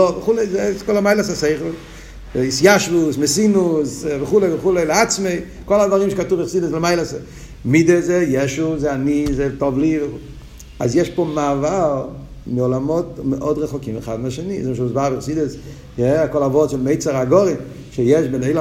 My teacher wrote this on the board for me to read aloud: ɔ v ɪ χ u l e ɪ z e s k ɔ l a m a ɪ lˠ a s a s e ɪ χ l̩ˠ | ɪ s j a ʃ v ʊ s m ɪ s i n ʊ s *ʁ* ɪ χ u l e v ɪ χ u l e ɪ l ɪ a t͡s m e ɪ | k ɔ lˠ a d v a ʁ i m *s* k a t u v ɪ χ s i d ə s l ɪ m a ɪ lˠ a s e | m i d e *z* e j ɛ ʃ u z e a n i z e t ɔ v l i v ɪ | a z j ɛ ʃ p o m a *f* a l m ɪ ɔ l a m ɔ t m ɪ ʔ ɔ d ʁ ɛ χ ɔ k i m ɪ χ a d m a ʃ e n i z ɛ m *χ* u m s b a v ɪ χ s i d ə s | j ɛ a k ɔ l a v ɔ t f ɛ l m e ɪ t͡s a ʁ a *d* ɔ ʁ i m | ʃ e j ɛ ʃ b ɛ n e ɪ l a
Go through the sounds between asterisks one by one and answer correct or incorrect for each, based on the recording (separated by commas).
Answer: incorrect, incorrect, correct, incorrect, incorrect, incorrect